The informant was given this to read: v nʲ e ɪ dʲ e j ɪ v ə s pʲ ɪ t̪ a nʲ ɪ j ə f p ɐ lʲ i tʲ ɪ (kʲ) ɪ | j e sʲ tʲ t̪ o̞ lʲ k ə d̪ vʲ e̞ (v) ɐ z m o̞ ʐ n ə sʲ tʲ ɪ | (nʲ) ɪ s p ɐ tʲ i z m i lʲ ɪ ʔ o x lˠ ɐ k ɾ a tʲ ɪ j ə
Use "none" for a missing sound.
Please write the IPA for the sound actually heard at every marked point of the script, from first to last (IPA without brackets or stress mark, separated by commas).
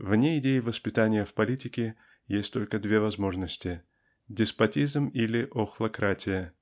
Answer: kʲ, v, dʲ